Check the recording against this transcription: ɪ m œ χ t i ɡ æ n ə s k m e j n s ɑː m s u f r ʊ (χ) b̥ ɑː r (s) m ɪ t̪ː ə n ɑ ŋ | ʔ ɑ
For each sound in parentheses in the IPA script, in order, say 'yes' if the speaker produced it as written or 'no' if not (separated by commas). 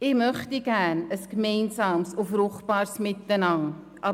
yes, yes